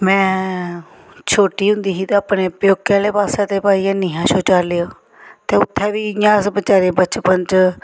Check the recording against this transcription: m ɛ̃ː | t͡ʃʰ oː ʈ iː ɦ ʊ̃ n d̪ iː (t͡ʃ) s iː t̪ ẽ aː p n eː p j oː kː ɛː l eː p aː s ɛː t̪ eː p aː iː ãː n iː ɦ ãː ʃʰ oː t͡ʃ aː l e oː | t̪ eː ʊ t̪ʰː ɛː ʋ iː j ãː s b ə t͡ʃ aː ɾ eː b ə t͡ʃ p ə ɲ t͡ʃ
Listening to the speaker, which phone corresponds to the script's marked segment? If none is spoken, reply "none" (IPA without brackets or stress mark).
none